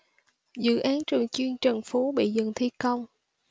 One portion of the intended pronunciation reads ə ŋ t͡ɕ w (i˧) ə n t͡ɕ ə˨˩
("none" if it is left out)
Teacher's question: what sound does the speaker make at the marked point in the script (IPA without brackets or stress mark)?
i˧